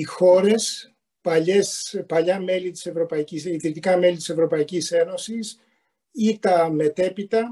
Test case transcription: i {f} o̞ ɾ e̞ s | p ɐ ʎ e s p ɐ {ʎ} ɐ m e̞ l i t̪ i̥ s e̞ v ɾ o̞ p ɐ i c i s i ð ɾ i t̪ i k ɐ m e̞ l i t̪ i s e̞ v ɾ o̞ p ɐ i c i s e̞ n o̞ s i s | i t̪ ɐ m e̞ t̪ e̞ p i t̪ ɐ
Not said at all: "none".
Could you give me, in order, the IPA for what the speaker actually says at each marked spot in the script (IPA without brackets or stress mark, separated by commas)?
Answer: x, ʎ